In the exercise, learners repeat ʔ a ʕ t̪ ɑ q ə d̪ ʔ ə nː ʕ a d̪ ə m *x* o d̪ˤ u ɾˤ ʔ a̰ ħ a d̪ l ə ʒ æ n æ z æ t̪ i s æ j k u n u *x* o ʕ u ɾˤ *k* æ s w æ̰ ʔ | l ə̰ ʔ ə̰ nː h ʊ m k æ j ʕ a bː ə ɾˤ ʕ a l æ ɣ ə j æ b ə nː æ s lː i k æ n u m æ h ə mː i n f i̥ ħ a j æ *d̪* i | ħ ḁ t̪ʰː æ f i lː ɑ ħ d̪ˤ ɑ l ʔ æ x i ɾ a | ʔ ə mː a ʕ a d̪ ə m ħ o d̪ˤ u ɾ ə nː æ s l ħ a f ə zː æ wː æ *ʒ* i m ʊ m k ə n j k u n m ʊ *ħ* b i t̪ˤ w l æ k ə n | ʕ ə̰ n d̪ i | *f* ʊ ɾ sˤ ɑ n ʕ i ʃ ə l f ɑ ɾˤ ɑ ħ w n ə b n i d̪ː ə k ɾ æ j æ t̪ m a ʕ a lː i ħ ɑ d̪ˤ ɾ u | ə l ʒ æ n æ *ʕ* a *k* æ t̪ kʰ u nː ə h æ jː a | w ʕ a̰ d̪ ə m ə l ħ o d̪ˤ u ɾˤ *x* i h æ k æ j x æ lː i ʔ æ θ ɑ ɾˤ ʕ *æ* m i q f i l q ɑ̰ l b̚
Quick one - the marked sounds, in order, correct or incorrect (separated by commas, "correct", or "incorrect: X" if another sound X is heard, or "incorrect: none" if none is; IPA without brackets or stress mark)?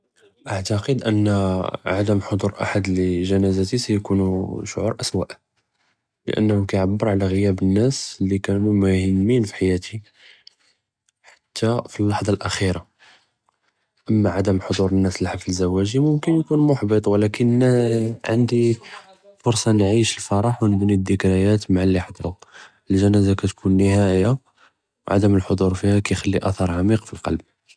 incorrect: ħ, incorrect: ʃ, incorrect: ʔ, incorrect: t̪, correct, correct, correct, incorrect: z, correct, incorrect: f, incorrect: a